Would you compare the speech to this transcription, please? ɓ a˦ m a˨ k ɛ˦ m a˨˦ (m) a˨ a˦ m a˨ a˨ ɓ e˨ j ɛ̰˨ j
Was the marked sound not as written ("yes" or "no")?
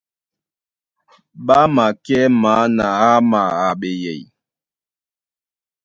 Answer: yes